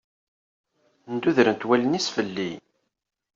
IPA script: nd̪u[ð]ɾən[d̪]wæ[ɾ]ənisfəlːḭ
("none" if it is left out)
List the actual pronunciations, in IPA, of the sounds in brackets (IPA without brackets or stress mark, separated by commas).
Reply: ð, t̪, l